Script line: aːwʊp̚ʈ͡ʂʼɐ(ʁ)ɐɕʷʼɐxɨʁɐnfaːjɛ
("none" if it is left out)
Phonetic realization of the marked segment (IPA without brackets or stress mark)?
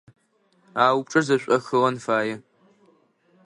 z